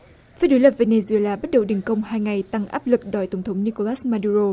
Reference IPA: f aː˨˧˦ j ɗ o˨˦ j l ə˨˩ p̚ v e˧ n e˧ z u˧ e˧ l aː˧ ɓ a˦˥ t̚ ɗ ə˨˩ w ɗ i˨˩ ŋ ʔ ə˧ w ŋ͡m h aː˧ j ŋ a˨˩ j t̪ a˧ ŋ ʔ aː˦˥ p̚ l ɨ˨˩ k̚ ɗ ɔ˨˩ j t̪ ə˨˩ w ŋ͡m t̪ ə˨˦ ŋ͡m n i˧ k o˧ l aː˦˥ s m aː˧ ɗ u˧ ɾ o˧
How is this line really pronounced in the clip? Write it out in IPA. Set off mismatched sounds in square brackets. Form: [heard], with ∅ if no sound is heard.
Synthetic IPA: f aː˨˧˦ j ɗ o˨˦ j l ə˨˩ p̚ v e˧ n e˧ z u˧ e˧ l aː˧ ɓ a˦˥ t̚ ɗ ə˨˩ w ɗ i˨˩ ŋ [k] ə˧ w ŋ͡m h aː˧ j ŋ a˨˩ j t̪ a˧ ŋ ʔ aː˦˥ p̚ l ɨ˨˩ k̚ ɗ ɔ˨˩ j t̪ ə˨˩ w ŋ͡m [t̪ʰ] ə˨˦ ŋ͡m n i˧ k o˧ l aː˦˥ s m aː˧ ɗ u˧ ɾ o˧